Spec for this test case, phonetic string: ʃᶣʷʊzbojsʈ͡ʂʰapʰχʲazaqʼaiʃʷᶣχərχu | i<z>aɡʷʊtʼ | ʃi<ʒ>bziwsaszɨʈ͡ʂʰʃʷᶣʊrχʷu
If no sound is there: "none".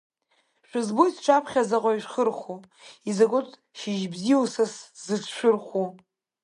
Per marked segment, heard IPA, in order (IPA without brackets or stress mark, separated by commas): z, ʒ